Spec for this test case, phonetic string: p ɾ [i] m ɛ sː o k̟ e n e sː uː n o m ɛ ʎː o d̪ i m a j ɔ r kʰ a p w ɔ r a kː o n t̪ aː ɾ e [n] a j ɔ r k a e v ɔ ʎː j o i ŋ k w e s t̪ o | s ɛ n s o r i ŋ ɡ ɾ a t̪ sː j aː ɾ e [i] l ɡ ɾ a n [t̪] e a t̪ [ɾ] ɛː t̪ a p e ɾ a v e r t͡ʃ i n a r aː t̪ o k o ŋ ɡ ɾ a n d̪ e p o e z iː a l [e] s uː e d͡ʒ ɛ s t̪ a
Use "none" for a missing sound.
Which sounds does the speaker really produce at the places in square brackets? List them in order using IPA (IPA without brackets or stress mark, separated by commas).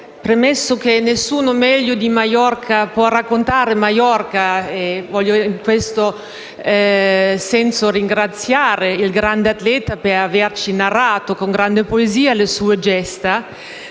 e, m, i, d̪, l, e